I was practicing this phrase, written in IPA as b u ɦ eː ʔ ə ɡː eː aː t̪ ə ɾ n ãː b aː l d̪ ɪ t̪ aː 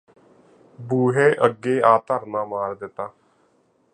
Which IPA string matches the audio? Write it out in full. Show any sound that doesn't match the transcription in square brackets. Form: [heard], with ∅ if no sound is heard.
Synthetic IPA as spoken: b [uː] ɦ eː ʔ ə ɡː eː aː t̪ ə ɾ n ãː [m] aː [ɾ] d̪ ɪ t̪ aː